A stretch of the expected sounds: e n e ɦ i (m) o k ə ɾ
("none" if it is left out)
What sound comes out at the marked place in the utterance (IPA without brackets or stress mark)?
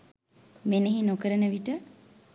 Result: n